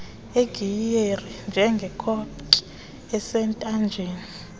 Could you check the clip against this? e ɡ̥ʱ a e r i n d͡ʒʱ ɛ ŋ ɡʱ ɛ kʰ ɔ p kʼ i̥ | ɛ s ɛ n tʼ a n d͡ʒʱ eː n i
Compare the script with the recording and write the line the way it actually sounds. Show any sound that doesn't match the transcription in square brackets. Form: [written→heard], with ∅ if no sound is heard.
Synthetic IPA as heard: e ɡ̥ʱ [a→i] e r i n d͡ʒʱ ɛ ŋ ɡʱ ɛ kʰ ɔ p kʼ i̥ | ɛ s ɛ n tʼ a n d͡ʒʱ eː n i